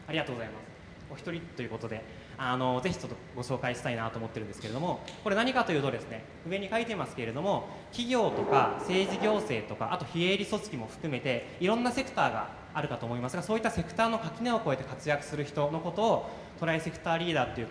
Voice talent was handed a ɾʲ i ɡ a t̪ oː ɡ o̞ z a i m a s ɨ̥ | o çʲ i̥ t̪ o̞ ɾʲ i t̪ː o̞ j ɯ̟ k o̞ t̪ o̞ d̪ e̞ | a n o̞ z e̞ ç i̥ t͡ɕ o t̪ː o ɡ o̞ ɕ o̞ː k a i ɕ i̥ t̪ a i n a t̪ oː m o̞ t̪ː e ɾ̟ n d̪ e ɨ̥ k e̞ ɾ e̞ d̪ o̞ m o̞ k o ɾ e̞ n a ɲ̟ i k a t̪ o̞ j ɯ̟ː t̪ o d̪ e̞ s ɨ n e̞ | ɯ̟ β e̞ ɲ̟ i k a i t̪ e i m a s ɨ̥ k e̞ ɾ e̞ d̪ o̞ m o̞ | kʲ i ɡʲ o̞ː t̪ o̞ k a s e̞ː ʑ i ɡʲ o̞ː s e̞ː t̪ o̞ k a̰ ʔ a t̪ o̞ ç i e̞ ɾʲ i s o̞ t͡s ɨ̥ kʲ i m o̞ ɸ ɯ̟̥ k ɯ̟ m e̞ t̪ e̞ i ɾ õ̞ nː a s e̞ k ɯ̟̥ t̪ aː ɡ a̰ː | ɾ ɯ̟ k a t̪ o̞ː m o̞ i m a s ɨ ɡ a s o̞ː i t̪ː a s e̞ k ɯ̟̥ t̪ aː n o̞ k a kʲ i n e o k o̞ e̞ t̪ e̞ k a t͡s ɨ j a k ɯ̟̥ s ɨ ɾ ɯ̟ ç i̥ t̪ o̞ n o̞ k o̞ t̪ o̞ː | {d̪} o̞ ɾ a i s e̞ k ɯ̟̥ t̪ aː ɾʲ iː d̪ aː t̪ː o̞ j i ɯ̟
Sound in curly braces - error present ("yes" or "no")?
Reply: yes